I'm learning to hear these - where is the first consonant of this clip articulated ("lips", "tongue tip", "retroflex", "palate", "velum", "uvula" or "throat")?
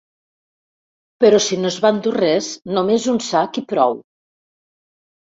lips